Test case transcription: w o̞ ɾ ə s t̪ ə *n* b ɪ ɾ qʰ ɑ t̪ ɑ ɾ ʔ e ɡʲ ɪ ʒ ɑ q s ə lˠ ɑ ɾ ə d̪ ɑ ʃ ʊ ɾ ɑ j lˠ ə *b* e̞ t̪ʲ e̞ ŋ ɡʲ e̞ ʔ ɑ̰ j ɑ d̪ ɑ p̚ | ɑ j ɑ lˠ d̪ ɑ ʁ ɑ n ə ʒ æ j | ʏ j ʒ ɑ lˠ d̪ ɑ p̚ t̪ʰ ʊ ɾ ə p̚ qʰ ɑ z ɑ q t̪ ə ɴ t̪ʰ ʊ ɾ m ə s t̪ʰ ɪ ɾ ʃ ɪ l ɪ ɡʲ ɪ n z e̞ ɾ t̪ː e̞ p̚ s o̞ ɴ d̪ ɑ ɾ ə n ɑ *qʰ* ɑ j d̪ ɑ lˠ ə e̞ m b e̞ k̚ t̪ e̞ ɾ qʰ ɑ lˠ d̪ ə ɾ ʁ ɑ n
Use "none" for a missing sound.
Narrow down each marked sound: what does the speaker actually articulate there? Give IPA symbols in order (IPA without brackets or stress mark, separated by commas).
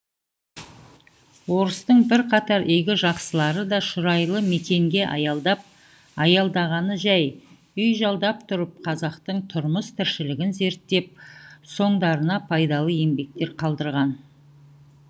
ɴ, m, pʰ